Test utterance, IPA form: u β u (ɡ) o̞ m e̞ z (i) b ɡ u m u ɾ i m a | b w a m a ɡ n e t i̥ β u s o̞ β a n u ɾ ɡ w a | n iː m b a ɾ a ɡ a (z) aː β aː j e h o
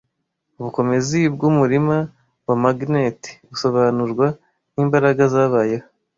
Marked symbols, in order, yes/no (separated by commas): no, yes, yes